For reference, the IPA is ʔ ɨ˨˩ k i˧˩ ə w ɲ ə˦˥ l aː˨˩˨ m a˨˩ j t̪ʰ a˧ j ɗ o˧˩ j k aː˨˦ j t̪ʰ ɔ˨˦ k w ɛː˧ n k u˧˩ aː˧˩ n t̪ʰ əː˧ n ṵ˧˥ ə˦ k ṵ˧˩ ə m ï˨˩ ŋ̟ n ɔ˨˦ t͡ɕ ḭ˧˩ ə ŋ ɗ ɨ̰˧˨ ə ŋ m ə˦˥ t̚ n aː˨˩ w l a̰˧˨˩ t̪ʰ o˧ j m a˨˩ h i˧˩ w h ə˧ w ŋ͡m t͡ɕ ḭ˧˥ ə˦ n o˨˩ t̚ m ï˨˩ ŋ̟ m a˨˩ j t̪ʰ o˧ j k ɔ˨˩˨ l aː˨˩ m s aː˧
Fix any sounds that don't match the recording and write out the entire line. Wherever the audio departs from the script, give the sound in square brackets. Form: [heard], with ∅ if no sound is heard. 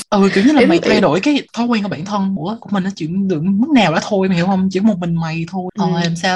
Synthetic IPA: ʔ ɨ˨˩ k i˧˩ ə w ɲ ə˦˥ l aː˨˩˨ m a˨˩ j t̪ʰ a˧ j ɗ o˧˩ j k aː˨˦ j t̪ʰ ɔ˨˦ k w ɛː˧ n k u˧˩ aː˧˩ n t̪ʰ [ə˧] n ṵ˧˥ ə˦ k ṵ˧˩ ə m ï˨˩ ŋ̟ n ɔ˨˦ t͡ɕ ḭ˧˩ ə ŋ ɗ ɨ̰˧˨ ə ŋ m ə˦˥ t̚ n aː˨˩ w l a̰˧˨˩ t̪ʰ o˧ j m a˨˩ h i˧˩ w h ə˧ w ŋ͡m t͡ɕ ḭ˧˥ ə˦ [m] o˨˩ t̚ m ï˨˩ ŋ̟ m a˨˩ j t̪ʰ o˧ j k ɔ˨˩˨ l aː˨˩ m s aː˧